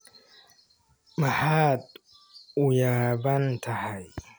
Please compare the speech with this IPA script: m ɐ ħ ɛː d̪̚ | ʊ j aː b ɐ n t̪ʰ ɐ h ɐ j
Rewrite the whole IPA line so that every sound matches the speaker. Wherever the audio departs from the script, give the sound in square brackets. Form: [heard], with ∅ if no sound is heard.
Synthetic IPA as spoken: m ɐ ħ [aː] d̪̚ | ʊ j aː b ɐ n t̪ʰ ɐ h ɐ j

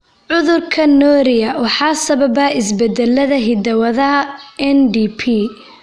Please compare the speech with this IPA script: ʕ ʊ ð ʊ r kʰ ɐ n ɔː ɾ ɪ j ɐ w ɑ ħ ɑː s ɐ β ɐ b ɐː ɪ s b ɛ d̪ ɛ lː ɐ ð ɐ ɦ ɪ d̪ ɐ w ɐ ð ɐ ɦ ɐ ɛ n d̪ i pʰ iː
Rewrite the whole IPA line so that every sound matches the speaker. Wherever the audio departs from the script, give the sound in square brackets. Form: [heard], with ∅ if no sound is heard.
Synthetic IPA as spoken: ʕ ʊ ð ʊ r kʰ ɐ n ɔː ɾ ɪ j ɐ w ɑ ħ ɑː s ɐ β ɐ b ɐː ɪ s b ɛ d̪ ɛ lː ɐ ð ɐ ɦ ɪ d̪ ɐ w ɐ ð ɐ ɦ ɐ ɛ n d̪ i pʰ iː

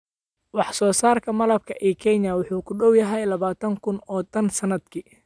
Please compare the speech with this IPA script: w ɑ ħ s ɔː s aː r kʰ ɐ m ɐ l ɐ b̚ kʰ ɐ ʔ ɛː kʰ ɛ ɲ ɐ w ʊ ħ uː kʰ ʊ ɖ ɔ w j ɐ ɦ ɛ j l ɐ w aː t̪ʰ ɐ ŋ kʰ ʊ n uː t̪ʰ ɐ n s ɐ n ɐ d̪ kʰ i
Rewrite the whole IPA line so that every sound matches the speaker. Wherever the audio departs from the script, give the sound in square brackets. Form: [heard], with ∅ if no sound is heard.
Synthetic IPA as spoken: w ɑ ħ s ɔː s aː r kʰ ɐ m ɐ l ɐ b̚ kʰ ɐ ʔ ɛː kʰ ɛ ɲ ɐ w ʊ ħ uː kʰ ʊ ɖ ɔ w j ɐ ɦ ɛ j l ɐ [β] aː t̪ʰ ɐ ŋ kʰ ʊ n [ɔː] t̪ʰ ɐ n s ɐ n ɐ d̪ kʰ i

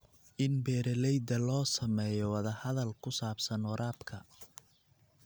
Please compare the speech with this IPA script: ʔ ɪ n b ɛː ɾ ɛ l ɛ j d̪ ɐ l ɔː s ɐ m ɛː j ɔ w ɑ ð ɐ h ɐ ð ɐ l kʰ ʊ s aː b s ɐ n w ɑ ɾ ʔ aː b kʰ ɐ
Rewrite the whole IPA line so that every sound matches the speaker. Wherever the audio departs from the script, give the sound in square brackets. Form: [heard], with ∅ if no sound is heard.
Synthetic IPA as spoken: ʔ ɪ n b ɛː ɾ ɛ l ɛ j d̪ ɐ l ɔː s ɐ m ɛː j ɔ w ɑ ð ɐ h ɐ ð ɐ l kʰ ʊ s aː b s ɐ n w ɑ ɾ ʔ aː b kʰ ɐ

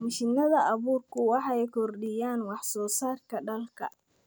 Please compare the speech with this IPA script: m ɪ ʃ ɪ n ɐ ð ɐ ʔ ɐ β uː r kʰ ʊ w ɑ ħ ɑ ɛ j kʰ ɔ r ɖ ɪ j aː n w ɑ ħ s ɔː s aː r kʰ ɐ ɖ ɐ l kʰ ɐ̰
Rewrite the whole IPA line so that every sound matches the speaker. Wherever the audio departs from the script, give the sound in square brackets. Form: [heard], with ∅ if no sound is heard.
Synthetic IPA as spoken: m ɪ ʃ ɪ n ɐ ð ɐ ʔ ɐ β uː r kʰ ʊ w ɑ ħ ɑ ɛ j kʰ ɔ r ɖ ɪ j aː n w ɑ ħ s ɔː s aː r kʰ ɐ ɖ ɐ l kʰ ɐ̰

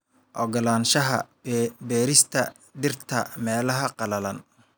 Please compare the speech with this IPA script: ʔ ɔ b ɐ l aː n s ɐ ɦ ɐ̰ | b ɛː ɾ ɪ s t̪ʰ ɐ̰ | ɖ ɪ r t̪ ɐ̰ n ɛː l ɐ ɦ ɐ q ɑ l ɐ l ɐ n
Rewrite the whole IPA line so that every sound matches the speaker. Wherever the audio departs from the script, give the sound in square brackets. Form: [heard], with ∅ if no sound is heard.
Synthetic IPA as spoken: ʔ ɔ [ɡ] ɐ l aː n [ʃ] ɐ ɦ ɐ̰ | b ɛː ɾ ɪ s t̪ʰ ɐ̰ | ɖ ɪ r [t̪ʰ] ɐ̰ [m] ɛː l ɐ ɦ ɐ q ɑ l ɐ l ɐ n

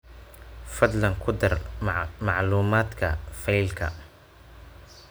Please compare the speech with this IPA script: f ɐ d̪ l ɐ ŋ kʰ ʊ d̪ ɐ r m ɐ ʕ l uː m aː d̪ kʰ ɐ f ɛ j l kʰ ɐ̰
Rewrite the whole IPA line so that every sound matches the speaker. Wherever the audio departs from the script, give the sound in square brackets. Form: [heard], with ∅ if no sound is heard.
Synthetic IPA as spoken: f ɐ d̪ l ɐ ŋ kʰ ʊ d̪ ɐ r m [ɑ] ʕ l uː m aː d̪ kʰ ɐ f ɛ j l kʰ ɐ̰

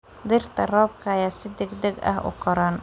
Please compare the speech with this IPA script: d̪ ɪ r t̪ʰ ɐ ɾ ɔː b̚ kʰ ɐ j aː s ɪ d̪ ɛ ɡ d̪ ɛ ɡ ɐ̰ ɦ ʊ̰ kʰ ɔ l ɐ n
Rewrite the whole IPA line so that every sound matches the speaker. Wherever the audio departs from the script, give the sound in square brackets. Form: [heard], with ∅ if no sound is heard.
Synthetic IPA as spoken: d̪ ɪ r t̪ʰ ɐ [r] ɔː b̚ kʰ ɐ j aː s ɪ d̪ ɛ ɡ d̪ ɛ ɡ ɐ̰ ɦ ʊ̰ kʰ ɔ [ɾ] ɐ n

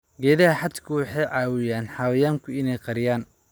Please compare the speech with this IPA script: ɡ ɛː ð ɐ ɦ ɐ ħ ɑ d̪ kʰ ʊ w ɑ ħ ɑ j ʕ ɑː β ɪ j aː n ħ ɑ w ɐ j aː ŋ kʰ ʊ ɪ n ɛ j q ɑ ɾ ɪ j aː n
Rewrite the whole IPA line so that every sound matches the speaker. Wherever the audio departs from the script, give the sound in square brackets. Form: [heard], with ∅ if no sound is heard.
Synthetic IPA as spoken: ɡ ɛː ð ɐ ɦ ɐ ħ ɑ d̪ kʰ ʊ w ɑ ħ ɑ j ʕ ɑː [w] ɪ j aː n ħ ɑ w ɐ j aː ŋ kʰ ʊ ɪ n ɛ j q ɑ ɾ ɪ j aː n

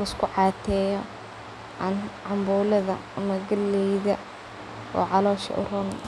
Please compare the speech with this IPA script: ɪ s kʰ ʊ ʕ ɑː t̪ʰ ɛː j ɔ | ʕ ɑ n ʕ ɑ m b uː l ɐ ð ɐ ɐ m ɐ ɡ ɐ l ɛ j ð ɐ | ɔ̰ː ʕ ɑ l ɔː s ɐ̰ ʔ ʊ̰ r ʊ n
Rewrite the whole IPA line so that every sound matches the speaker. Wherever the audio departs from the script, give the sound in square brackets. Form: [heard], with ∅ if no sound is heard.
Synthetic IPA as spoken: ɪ s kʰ ʊ ʕ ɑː t̪ʰ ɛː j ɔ | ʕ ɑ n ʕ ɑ m b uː l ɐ ð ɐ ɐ m ɐ ɡ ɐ l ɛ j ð ɐ | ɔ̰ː ʕ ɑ l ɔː [ʃ] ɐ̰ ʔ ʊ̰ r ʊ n

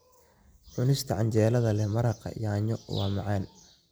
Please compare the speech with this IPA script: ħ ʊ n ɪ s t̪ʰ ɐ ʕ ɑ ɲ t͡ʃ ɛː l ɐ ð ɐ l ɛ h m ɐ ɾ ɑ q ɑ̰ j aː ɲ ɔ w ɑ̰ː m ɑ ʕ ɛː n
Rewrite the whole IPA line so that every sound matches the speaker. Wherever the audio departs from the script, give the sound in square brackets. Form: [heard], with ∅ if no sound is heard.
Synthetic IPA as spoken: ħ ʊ n ɪ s t̪ʰ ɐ ʕ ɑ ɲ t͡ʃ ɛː l ɐ ð ɐ l ɛ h m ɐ ɾ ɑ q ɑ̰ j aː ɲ ɔ w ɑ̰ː m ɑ ʕ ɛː n

